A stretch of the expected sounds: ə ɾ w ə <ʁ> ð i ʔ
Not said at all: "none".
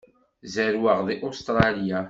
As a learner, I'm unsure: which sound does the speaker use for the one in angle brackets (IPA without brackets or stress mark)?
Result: ʁ